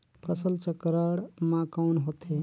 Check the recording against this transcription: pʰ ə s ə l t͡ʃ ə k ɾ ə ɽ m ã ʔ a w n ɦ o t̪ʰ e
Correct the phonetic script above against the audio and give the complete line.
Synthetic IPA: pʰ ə s ə l t͡ʃ ə k ɾ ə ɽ m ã k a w n ɦ o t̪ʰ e